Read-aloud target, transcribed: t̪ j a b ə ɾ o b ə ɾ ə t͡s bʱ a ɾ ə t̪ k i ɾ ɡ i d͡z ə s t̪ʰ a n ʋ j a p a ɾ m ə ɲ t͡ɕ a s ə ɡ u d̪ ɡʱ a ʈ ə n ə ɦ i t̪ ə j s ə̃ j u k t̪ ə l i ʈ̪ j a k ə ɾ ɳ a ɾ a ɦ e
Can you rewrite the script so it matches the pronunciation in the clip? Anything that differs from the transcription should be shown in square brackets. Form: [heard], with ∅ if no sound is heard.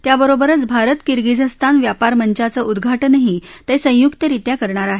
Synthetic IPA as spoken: t̪ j a b ə ɾ o b ə ɾ ə t͡s bʱ a ɾ ə t̪ k i ɾ ɡ i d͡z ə s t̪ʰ a n ʋ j a p a ɾ m ə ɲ t͡ɕ a [t͡s] ə [∅] u d̪ ɡʱ a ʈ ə n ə ɦ i t̪ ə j s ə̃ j u k t̪ ə [ɾ] i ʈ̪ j a k ə ɾ ɳ a ɾ a ɦ e